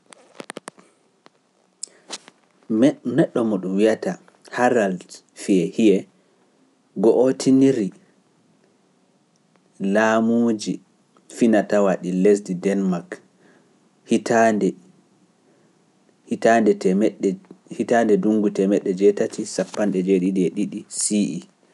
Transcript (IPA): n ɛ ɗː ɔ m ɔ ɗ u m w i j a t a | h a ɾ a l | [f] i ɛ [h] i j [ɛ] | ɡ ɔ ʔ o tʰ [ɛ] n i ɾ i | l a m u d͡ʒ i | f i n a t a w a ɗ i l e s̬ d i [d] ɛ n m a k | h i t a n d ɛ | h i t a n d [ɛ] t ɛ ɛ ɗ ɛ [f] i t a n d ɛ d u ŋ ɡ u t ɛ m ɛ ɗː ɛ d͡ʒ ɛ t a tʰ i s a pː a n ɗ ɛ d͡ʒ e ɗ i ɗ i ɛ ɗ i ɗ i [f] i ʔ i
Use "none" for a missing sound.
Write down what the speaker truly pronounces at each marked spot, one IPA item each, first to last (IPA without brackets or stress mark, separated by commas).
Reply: f, h, ɛ, i, d, ɛ, h, s